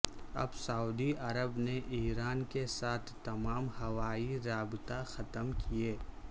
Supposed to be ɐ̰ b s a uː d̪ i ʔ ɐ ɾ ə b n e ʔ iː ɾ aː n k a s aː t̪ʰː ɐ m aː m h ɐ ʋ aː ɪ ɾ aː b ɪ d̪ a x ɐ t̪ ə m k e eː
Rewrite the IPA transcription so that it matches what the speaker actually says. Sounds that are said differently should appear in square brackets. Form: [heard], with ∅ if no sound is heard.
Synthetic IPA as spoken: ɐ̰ b s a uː d̪ i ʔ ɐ ɾ ə b n e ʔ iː ɾ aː n k [e] s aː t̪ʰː ɐ m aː m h ɐ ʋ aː [i] ɾ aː b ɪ [t̪] a x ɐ t̪ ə m k [i] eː